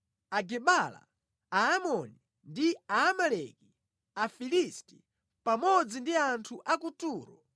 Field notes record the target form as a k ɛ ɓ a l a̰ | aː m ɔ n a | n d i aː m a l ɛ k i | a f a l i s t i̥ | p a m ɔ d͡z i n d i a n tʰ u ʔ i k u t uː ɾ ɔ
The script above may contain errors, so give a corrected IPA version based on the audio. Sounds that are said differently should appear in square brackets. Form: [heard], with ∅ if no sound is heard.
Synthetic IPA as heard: a [ɡ] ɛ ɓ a l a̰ | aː m ɔ n [i] | n d i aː m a l ɛ k i | a f [i] l i s t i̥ | p a m ɔ d͡z i n d i a n tʰ u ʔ [a] k u t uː ɾ ɔ